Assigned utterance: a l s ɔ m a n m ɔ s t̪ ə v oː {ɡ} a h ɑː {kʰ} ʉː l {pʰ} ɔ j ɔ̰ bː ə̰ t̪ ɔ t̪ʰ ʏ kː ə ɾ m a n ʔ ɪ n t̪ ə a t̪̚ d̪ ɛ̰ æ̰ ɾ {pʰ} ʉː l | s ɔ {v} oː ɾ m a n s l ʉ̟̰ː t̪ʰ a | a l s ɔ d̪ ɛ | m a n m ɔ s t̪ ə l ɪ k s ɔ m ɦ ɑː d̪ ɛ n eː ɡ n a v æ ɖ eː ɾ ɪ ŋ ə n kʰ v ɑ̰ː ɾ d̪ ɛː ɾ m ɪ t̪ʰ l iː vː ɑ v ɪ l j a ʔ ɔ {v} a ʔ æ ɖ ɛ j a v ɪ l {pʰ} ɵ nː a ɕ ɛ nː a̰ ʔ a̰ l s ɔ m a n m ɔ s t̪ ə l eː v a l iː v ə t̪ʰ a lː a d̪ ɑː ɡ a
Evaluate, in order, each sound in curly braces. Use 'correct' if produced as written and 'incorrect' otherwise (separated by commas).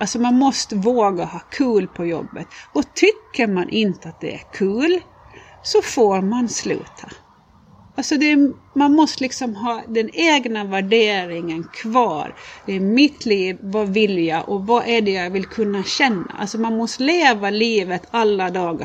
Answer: correct, correct, correct, incorrect, incorrect, correct, incorrect